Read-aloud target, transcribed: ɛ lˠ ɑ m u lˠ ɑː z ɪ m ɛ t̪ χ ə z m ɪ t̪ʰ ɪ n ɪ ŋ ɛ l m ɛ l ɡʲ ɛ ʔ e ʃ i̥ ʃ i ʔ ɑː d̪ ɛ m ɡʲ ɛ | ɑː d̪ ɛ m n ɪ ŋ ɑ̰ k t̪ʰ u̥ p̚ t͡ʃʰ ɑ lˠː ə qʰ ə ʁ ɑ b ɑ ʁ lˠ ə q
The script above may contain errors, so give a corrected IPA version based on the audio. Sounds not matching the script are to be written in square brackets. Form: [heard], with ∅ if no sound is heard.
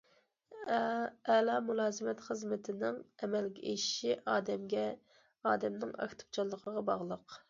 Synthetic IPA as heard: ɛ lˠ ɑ m u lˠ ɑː z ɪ m ɛ t̪ χ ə z m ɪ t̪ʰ ɪ n ɪ ŋ ɛ [∅] m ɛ l ɡʲ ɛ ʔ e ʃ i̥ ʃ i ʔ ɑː d̪ ɛ m ɡʲ ɛ | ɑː d̪ ɛ m n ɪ ŋ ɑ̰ k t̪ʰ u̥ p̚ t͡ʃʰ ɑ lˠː ə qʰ ə ʁ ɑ b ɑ ʁ lˠ ə q

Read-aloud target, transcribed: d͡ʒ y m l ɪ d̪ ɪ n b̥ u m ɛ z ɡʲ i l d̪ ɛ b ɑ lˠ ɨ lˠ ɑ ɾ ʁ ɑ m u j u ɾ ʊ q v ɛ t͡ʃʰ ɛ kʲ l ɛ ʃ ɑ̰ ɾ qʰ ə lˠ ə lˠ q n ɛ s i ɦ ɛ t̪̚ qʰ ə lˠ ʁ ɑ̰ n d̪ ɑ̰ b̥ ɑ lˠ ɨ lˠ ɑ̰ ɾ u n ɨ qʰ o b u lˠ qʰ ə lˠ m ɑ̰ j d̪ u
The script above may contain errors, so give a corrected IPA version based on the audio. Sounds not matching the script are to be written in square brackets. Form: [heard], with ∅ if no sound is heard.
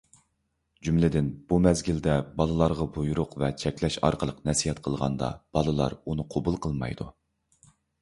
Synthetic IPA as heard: d͡ʒ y m l ɪ d̪ ɪ n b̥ u m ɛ z ɡʲ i l d̪ ɛ b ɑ lˠ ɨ lˠ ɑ ɾ ʁ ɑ [b] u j u ɾ ʊ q v ɛ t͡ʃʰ ɛ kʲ l ɛ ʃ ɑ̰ ɾ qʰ ə lˠ ə [∅] q n ɛ s i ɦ ɛ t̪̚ qʰ ə lˠ ʁ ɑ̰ n d̪ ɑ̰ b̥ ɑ lˠ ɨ lˠ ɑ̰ ɾ u n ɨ qʰ o b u lˠ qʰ ə lˠ m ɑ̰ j d̪ u

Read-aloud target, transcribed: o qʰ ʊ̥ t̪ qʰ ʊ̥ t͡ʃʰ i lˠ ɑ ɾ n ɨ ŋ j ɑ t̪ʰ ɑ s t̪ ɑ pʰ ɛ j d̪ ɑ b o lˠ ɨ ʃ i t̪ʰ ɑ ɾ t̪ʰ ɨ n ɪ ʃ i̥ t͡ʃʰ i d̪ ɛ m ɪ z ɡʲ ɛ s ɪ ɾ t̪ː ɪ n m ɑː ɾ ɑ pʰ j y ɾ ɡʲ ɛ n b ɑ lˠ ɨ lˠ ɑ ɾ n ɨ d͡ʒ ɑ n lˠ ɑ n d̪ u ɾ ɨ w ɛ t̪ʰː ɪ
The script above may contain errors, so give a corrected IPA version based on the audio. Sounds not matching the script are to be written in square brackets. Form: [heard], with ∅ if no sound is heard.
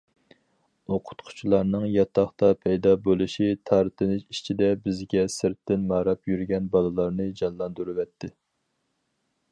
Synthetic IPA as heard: o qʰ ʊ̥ t̪ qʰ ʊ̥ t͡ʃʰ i lˠ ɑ ɾ n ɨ ŋ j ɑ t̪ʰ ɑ [χ] t̪ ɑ pʰ ɛ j d̪ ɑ b o lˠ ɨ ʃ i t̪ʰ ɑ ɾ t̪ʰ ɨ n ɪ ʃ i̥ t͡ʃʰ i d̪ ɛ [b] ɪ z ɡʲ ɛ s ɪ ɾ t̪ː ɪ n m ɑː ɾ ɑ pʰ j y ɾ ɡʲ ɛ n b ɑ lˠ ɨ lˠ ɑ ɾ n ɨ d͡ʒ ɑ n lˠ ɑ n d̪ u ɾ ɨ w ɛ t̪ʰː ɪ

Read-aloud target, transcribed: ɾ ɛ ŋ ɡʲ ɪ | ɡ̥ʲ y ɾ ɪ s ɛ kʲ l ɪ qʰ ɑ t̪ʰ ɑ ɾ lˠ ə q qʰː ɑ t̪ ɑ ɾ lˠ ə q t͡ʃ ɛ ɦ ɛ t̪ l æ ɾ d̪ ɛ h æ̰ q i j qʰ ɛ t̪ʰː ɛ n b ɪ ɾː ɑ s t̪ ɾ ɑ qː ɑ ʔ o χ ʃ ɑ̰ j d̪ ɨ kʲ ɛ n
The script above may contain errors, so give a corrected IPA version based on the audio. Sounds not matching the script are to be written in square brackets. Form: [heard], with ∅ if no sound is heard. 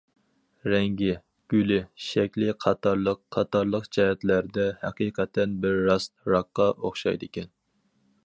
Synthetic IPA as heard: ɾ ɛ ŋ ɡʲ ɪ | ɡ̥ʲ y [l] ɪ [ʃ] ɛ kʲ l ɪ qʰ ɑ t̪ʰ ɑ ɾ lˠ ə q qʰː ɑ t̪ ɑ ɾ lˠ ə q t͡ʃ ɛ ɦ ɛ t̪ l æ ɾ d̪ ɛ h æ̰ q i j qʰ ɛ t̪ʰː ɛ n b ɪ ɾː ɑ s t̪ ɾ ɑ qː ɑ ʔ o χ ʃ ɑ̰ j d̪ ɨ kʲ ɛ n

